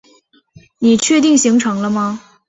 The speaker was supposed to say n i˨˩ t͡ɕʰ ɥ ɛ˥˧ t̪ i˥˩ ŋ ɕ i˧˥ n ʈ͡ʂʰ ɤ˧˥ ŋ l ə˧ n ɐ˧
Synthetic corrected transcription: n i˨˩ t͡ɕʰ ɥ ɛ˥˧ t̪ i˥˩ ŋ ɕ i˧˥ ŋ ʈ͡ʂʰ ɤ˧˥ ŋ l ə˧ m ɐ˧